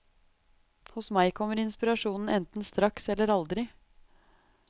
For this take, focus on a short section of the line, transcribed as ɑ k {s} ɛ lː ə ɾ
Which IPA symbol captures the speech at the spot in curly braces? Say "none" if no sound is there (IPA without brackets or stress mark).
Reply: s